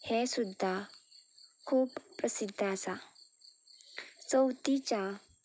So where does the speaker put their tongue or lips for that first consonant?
throat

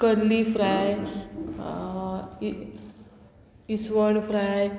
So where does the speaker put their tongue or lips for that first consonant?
velum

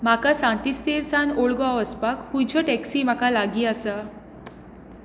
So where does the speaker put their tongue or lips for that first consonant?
lips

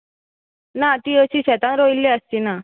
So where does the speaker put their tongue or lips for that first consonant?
tongue tip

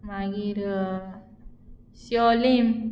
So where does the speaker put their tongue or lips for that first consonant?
lips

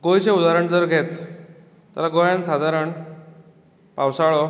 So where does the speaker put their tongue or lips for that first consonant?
velum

